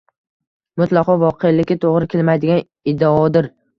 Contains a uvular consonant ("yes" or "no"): yes